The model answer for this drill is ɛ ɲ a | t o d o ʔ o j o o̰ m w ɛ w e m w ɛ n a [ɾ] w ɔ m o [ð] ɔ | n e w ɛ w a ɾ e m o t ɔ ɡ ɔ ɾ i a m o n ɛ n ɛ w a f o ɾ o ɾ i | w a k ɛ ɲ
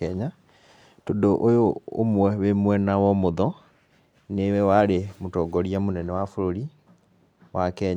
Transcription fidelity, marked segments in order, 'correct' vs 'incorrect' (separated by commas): incorrect, correct